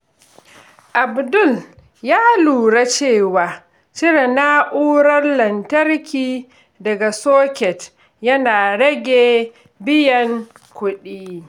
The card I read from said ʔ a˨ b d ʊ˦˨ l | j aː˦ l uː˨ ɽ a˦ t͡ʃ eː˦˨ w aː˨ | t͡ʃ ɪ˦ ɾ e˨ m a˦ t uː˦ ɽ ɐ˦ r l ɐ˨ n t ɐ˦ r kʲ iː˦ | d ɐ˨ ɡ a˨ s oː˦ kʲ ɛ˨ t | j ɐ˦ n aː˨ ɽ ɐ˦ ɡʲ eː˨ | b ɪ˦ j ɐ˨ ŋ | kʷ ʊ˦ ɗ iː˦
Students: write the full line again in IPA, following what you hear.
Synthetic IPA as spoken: ʔ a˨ b d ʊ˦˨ l | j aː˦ l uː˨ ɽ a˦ t͡ʃ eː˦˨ w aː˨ | t͡ʃ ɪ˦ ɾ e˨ n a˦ ʔ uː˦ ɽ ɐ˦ r l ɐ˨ n t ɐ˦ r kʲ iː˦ | d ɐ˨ ɡ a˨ s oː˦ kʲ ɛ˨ t | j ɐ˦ n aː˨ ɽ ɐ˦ ɡʲ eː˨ | b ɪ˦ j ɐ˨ ŋ | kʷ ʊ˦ ɗ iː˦